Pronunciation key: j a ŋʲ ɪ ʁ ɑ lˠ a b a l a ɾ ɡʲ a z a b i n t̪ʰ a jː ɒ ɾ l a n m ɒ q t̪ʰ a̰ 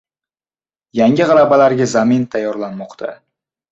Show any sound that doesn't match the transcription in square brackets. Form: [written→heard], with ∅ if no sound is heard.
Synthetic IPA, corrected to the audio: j a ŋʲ ɪ ʁ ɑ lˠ a b a l a ɾ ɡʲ a z a [b→m] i n t̪ʰ a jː ɒ ɾ l a n m ɒ q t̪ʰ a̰